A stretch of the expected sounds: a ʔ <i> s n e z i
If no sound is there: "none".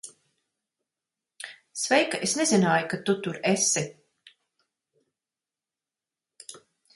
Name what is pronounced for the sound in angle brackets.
e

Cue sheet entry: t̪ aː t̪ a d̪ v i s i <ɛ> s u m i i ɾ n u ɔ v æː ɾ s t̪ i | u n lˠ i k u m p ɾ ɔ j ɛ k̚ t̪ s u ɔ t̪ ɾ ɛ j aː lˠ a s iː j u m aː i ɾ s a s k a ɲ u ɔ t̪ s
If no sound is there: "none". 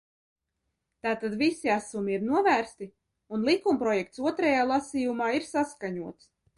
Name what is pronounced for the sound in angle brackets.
a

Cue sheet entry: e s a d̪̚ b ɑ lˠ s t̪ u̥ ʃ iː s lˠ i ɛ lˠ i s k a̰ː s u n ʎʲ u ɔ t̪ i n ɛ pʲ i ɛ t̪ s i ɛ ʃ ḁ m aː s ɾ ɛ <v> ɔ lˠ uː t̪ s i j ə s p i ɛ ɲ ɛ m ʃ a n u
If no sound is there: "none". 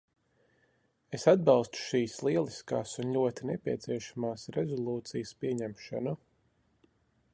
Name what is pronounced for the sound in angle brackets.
z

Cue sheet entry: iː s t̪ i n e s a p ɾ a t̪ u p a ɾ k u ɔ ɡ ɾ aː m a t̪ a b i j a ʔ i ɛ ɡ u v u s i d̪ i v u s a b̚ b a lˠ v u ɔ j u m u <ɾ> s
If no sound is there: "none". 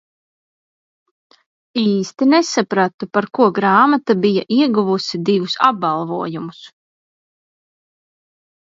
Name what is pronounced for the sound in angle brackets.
none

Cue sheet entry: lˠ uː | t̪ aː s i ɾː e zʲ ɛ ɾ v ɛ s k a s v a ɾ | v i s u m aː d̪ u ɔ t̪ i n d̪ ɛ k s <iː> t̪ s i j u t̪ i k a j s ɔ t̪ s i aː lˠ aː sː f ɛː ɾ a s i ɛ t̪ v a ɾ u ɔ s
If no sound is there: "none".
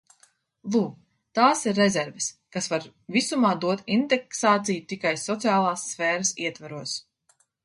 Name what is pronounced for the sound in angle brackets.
aː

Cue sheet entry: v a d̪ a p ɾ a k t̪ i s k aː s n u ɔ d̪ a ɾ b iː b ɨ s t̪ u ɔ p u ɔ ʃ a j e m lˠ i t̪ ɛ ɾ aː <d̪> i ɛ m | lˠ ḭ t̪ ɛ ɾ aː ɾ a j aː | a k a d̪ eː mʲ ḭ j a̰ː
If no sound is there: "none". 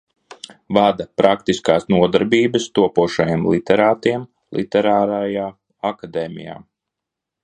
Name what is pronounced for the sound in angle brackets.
t̪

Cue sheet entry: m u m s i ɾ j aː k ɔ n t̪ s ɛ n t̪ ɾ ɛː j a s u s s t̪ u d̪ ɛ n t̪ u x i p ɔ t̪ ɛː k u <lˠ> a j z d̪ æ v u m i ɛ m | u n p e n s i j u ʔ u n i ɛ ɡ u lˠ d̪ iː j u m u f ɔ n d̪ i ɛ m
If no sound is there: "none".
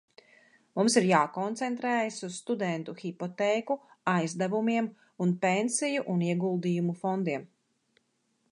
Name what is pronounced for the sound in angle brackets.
none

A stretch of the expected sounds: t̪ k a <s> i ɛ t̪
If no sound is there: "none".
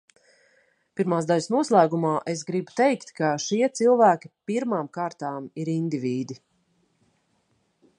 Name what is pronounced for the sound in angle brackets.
ʃ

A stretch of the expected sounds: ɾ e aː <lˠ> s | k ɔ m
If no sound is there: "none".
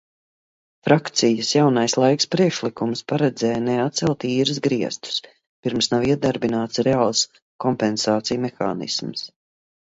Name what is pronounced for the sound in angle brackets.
lˠ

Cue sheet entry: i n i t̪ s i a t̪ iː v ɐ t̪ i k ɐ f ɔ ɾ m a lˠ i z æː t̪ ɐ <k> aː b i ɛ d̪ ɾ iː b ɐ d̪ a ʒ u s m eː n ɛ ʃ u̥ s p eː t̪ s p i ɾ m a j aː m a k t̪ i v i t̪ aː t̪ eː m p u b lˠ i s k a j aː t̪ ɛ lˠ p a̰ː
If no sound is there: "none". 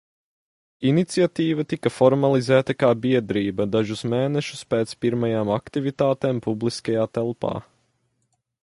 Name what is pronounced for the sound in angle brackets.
k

